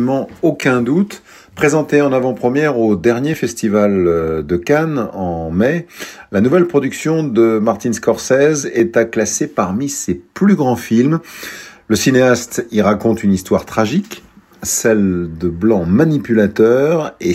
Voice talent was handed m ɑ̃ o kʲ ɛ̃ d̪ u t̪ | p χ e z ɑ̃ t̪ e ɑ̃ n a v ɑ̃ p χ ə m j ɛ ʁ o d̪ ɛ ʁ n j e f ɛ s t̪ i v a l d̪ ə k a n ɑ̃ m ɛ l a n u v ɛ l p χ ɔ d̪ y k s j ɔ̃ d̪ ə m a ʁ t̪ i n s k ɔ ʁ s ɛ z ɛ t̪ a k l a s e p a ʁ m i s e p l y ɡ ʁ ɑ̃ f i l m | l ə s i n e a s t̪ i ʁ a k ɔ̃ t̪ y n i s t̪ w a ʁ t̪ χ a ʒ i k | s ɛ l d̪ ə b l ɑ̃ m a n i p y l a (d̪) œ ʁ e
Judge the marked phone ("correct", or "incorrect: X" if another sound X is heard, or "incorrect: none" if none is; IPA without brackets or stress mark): incorrect: t̪